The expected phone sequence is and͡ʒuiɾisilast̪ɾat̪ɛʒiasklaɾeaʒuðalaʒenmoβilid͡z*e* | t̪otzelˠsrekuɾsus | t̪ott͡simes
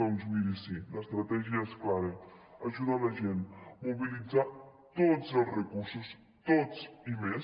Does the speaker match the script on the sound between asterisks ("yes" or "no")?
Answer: no